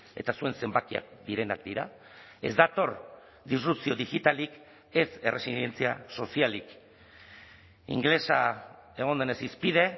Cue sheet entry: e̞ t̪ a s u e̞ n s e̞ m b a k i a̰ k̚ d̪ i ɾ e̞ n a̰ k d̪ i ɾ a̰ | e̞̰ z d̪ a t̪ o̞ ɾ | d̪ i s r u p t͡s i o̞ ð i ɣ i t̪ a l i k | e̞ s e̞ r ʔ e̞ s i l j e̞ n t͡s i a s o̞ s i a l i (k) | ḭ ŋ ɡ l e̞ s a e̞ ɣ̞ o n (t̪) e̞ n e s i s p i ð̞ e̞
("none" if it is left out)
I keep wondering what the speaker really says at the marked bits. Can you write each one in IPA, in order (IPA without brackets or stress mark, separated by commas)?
k, d̪